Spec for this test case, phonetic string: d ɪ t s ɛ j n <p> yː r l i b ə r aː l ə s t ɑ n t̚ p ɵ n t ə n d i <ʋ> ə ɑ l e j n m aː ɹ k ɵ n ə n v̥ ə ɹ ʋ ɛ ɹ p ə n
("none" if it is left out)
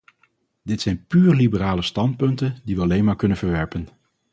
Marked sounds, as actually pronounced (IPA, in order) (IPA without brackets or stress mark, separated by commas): p, ʋ